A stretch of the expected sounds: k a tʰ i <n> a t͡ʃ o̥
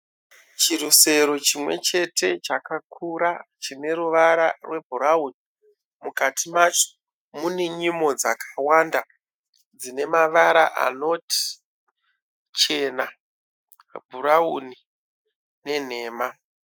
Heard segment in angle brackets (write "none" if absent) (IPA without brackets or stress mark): m